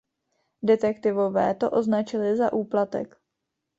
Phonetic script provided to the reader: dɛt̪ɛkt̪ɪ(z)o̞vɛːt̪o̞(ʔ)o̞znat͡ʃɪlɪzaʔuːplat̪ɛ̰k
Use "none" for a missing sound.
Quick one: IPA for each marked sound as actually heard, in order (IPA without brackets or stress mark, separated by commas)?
v, ʔ